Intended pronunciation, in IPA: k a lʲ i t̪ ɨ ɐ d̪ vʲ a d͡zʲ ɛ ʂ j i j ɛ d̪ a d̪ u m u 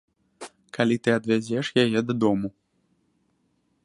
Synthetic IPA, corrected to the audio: k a lʲ i t̪ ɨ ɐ d̪ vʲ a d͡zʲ ɛ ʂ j a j ɛ d̪ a d̪ ɔ m u